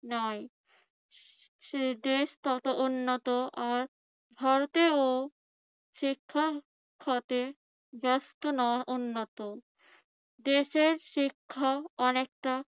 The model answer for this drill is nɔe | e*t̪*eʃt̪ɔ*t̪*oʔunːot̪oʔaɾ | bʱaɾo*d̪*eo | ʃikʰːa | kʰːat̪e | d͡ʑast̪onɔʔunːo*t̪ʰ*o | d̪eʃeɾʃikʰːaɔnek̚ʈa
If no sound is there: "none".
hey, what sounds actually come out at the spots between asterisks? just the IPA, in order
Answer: d̪, t̪, t̪, t̪

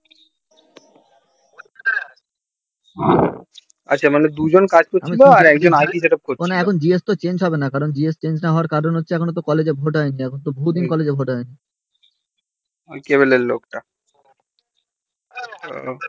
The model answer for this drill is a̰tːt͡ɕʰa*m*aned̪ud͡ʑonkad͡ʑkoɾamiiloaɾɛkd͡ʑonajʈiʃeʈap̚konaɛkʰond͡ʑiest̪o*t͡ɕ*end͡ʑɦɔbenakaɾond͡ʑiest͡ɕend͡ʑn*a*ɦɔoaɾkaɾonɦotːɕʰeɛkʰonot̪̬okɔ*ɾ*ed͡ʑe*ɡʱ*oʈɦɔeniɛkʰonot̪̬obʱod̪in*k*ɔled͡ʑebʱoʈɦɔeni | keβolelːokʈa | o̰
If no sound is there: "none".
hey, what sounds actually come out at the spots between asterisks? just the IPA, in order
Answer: m, t͡ɕ, a, l, bʱ, k

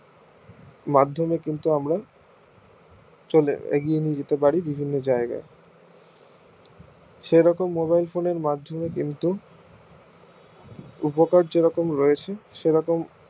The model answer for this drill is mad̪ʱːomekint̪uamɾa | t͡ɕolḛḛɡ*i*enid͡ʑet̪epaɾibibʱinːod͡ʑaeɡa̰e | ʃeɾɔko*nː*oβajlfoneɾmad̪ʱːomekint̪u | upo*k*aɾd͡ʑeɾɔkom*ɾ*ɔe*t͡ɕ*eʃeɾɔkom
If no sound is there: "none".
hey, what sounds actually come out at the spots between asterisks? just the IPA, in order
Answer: i, mː, k, ɾ, t͡ɕʰ

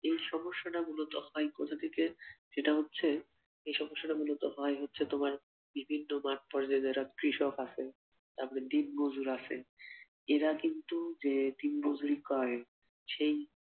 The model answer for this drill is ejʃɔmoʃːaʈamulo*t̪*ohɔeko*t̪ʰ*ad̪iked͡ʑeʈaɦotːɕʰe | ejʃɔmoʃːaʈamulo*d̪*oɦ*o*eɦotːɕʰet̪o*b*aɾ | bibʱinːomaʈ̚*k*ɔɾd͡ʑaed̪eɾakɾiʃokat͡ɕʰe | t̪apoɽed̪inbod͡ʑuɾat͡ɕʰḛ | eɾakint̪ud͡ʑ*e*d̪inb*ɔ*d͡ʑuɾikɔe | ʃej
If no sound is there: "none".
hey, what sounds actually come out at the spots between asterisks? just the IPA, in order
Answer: t̪, t̪ʰ, t̪, ɔ, m, p, e, o

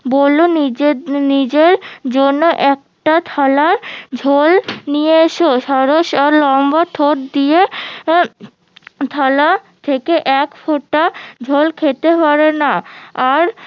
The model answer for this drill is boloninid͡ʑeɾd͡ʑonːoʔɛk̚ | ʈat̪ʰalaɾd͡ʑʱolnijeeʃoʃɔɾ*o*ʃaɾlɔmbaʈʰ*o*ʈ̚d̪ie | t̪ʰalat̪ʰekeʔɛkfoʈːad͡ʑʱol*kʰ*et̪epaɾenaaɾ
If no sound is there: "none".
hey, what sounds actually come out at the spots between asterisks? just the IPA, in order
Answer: o, o, kʰ

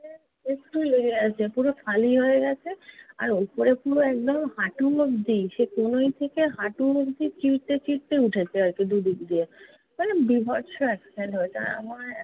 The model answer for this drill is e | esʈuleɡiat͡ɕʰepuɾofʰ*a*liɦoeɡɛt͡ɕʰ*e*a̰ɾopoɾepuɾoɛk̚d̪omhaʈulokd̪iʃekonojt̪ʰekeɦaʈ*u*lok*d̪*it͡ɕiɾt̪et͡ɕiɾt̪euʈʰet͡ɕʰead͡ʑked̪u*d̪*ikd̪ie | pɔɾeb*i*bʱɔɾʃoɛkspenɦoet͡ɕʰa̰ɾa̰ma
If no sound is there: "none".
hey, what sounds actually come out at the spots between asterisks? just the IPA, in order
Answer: a, e, u, d̪, d̪, i

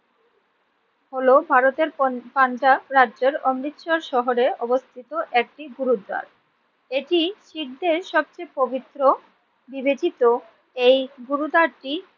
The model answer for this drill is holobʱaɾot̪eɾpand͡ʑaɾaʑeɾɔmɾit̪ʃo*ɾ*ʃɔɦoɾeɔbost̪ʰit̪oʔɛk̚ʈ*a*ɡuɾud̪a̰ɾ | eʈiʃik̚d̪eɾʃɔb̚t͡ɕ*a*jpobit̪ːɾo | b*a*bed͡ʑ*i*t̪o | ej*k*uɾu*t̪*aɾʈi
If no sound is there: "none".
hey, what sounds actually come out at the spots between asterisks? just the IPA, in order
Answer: ɾ, i, e, i, i, ɡ, d̪

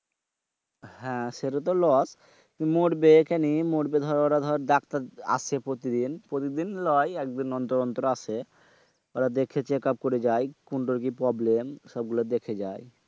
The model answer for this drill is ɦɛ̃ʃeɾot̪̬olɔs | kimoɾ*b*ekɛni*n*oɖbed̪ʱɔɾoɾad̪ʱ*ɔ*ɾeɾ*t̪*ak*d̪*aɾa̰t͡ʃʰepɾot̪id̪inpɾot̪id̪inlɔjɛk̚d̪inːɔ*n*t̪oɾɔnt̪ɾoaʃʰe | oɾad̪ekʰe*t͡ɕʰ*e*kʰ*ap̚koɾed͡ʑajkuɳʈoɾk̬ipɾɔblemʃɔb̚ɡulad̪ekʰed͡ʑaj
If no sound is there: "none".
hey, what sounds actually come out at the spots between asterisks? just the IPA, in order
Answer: b, m, ɔ, d̪, t̪, n, t͡ɕ, k

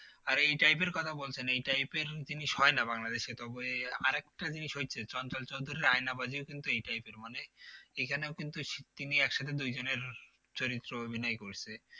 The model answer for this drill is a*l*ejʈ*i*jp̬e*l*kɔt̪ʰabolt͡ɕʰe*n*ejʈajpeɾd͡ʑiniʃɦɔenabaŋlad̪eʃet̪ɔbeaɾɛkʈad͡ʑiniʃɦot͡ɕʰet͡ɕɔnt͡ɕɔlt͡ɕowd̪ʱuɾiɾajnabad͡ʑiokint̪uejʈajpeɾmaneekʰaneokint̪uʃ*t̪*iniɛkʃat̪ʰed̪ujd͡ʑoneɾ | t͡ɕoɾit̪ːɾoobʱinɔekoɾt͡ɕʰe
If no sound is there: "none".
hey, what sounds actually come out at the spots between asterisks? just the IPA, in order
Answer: ɾ, a, ɾ, n, t̪

